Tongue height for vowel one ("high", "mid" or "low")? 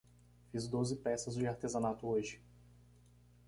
high